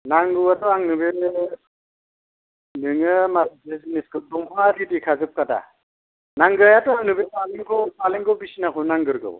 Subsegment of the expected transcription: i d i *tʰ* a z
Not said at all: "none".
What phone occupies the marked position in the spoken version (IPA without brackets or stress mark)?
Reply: kʰ